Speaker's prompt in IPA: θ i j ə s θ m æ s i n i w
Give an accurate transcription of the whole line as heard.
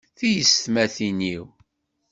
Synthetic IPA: θ i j ə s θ m æ θ i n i w